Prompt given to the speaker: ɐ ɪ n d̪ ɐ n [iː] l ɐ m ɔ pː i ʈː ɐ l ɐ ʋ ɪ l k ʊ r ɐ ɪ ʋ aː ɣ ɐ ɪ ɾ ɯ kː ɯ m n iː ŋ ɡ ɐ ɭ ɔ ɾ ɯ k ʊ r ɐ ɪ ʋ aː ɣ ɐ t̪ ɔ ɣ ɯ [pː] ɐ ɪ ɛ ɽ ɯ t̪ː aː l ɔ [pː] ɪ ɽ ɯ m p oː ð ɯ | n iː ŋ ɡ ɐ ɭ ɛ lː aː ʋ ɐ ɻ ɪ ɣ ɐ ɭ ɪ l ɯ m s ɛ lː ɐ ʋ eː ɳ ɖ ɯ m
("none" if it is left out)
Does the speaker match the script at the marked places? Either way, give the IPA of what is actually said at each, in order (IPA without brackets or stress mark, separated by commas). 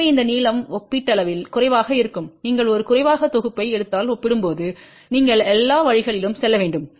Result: iː, pː, pː